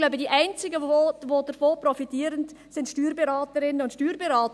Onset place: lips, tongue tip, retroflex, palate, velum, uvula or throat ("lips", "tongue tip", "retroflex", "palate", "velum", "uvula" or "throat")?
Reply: tongue tip